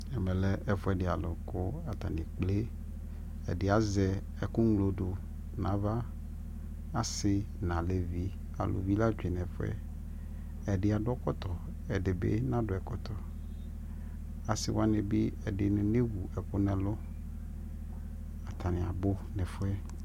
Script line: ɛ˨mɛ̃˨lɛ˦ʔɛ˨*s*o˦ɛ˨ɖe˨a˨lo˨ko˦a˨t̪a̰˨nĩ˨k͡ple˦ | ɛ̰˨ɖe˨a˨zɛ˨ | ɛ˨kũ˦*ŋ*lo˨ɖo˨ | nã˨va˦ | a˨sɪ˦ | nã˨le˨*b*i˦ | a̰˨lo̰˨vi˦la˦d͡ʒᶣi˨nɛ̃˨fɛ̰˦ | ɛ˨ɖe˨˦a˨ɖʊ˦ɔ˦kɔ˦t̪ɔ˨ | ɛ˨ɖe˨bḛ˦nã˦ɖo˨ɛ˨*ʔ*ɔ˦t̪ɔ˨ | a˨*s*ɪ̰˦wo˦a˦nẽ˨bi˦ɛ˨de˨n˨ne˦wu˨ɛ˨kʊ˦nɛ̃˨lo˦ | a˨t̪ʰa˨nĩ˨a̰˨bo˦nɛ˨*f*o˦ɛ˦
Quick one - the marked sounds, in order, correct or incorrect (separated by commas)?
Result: incorrect, correct, incorrect, incorrect, correct, correct